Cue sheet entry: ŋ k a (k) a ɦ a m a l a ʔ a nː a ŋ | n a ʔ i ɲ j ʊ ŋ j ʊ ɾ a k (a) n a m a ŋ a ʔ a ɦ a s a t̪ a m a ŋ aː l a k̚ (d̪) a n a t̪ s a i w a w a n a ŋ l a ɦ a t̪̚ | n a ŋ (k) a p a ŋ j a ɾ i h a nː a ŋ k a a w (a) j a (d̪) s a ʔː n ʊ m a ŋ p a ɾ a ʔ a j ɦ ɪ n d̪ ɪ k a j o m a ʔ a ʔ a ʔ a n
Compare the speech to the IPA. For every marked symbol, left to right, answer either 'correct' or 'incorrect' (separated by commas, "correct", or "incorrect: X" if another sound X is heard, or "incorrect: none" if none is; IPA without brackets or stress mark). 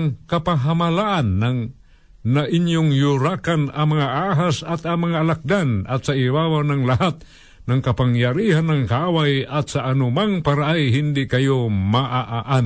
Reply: incorrect: p, correct, correct, correct, correct, incorrect: t̪